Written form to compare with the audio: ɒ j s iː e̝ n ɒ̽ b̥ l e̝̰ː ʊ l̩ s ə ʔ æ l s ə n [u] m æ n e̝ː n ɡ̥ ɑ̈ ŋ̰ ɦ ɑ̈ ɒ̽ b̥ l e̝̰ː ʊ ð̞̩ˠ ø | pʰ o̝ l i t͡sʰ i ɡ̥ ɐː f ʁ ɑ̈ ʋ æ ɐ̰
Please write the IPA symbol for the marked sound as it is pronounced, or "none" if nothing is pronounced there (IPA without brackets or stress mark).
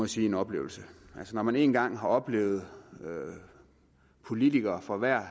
ɒ